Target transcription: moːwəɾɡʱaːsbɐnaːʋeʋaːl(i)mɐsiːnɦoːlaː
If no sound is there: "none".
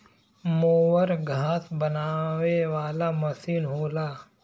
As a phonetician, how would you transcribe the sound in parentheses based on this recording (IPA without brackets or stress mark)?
a